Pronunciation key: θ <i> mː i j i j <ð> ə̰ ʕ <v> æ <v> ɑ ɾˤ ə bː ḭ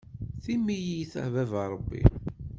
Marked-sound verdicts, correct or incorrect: correct, incorrect, correct, correct

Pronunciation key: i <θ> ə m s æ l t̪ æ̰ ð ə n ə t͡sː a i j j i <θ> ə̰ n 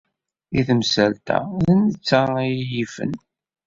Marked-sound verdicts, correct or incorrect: correct, incorrect

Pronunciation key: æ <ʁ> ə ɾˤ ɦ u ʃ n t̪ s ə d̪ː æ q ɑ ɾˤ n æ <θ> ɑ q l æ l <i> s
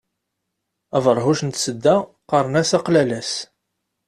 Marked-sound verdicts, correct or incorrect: incorrect, incorrect, incorrect

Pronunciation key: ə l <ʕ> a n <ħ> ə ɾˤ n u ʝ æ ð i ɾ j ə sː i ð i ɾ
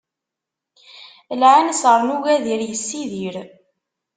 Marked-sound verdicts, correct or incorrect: correct, incorrect

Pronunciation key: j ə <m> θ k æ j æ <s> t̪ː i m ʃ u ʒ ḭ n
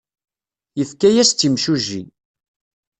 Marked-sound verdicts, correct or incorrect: incorrect, correct

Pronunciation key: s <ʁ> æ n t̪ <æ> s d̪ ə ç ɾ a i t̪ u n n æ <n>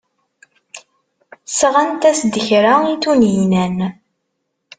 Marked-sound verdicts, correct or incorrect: correct, correct, correct

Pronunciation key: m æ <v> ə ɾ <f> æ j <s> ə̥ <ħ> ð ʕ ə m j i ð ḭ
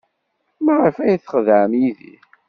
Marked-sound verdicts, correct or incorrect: incorrect, correct, incorrect, incorrect

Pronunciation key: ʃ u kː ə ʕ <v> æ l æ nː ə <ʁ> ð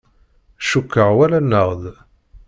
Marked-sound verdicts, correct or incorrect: incorrect, correct

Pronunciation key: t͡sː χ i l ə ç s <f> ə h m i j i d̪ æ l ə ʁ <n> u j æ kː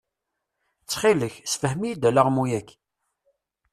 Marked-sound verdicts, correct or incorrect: correct, incorrect

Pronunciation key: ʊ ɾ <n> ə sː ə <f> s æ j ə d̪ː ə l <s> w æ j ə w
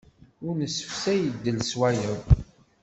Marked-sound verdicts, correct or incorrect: correct, correct, correct

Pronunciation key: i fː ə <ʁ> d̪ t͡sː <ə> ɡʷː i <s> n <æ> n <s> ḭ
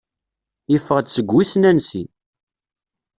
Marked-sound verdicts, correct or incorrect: correct, correct, correct, correct, correct

